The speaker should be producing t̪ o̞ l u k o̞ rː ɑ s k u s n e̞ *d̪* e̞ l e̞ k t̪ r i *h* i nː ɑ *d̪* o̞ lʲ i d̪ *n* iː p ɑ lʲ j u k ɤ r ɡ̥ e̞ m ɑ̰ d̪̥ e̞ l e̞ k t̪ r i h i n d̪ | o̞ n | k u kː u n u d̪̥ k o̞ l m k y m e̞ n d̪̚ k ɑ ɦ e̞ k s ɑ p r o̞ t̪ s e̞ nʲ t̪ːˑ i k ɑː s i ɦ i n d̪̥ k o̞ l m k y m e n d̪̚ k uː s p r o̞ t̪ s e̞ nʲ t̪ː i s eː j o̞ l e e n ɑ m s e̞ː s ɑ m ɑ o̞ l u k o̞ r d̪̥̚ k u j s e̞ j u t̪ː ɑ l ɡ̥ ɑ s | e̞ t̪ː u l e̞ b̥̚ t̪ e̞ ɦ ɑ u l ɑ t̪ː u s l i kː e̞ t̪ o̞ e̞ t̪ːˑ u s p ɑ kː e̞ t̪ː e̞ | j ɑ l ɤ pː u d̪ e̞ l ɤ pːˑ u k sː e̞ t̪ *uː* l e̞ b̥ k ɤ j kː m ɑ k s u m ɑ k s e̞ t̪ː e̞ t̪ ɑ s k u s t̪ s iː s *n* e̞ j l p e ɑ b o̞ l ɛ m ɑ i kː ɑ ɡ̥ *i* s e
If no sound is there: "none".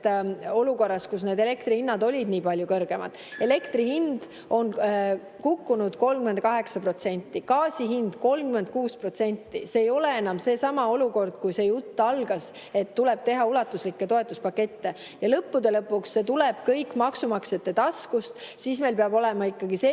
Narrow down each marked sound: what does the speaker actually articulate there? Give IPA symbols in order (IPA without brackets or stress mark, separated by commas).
d̪, h, d̪, n, u, m, i